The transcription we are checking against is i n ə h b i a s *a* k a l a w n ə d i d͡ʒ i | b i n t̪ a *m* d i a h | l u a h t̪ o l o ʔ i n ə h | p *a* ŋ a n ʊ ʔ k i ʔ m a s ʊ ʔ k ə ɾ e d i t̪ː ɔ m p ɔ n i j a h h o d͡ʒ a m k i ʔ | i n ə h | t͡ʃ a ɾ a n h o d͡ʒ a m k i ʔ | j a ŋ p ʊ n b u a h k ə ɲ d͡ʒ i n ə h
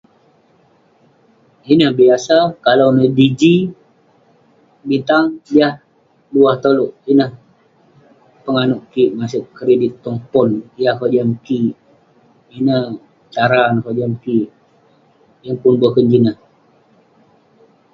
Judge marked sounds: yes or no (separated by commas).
yes, no, no